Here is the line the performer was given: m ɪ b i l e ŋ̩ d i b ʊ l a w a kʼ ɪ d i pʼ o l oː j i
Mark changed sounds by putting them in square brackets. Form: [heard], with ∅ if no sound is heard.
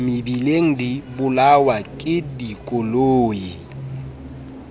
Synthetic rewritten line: m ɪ b i l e ŋ̩ d i b ʊ l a w a kʼ ɪ d i [kʼ] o l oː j i